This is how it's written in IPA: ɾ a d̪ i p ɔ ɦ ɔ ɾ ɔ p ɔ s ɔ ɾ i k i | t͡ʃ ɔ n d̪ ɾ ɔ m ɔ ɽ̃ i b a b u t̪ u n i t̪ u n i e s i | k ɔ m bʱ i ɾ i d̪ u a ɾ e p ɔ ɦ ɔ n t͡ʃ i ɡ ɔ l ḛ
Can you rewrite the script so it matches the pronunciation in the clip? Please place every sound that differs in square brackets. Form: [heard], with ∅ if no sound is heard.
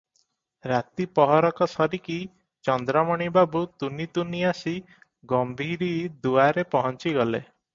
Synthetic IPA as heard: ɾ a [t̪] i p ɔ ɦ ɔ ɾ ɔ [k] ɔ s ɔ ɾ i k i | t͡ʃ ɔ n d̪ ɾ ɔ m ɔ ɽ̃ i b a b u t̪ u n i t̪ u n i [a] s i | [ɡ] ɔ m bʱ i ɾ i d̪ u a ɾ e p ɔ ɦ ɔ n t͡ʃ i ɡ ɔ l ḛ